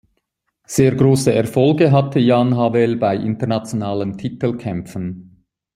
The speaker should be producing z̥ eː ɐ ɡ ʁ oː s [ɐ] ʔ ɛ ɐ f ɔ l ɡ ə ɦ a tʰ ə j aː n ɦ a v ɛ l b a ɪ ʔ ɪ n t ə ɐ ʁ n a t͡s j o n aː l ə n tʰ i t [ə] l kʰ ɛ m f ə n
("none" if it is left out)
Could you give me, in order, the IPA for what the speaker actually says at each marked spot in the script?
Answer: ə, ə

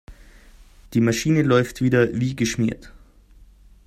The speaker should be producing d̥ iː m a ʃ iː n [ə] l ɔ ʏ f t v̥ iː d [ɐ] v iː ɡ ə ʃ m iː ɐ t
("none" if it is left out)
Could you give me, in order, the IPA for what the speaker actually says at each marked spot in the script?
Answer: ə, ɐ

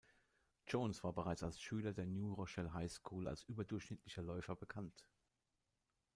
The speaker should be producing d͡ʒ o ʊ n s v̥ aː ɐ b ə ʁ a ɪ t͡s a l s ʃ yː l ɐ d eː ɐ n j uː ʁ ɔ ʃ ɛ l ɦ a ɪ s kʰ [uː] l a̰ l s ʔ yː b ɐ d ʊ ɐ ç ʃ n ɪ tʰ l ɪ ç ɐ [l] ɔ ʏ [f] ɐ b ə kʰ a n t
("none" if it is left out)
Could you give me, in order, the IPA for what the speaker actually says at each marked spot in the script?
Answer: uː, l, f

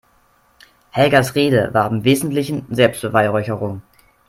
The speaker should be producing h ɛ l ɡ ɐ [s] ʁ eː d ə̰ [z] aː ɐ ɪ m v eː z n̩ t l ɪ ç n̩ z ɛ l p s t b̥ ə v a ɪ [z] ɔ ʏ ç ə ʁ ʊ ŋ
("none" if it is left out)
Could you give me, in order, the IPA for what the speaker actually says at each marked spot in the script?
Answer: s, v, ʁ

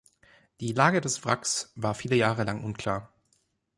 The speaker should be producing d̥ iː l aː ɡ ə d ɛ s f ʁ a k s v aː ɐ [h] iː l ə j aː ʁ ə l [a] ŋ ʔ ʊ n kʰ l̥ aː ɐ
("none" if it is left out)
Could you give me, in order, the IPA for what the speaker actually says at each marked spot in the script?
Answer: f, a

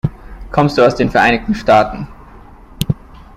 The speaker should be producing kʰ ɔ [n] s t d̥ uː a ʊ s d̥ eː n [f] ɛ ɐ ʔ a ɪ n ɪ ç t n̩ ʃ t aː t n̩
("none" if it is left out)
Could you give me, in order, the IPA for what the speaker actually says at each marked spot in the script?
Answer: m, f

